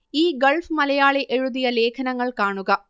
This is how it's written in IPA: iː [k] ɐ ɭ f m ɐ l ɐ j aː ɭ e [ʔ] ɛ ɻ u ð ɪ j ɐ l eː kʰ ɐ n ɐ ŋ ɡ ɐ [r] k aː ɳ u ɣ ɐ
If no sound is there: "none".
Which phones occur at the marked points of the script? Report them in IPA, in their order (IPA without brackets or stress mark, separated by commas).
ɡ, ʔ, ɭ